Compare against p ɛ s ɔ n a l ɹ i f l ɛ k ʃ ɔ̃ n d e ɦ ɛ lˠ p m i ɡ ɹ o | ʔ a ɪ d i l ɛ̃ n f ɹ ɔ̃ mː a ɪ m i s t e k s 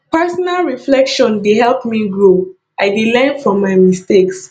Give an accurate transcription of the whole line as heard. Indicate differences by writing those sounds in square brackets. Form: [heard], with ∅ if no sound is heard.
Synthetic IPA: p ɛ s ɔ n a l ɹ i f l ɛ k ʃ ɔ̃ n d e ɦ ɛ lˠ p m i ɡ ɹ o | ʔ a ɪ d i l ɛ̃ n f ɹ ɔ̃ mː a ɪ m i s t e k s